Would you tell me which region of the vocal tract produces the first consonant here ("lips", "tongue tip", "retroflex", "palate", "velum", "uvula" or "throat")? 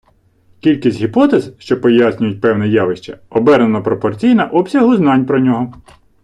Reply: velum